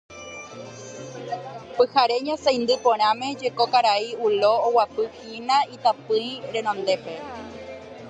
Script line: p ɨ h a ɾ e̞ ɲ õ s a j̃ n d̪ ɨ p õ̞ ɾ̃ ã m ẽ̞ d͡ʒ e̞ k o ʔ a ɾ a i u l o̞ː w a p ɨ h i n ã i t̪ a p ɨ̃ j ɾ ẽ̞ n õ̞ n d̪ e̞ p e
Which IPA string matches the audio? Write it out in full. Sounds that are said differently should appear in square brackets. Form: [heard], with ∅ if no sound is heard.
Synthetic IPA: p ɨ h a ɾ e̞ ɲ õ s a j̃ n d̪ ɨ p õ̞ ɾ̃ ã m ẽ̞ d͡ʒ e̞ k o [k] a ɾ a i u l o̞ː w a p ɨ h i n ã i t̪ a p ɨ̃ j ɾ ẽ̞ n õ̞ n d̪ e̞ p e

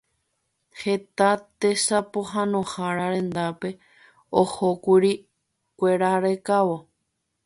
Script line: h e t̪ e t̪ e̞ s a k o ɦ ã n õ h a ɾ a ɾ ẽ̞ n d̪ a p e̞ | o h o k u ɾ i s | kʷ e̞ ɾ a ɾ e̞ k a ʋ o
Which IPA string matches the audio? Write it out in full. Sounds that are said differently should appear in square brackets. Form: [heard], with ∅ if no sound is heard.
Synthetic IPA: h e t̪ [a] t̪ e̞ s a [p] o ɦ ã n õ h a ɾ a ɾ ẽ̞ n d̪ a p e̞ | o h o k u ɾ i [∅] | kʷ e̞ ɾ a ɾ e̞ k a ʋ o

